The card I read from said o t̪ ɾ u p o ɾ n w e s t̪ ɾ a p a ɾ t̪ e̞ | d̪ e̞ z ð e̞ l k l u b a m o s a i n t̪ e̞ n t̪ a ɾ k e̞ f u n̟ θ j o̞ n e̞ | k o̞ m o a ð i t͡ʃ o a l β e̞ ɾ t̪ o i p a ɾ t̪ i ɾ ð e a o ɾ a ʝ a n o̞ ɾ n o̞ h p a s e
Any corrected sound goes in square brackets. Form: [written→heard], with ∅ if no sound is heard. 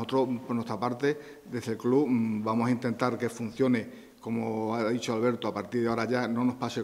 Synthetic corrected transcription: o t̪ ɾ [u→o] p o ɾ n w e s t̪ ɾ a p a ɾ t̪ e̞ | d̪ e̞ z ð e̞ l k l u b a m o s a i n t̪ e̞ n t̪ a ɾ k e̞ f u n̟ θ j o̞ n e̞ | k o̞ m o a ð i t͡ʃ o a l β e̞ ɾ t̪ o [i→a] p a ɾ t̪ i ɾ ð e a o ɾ a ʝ a n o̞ [ɾ→∅] n o̞ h p a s e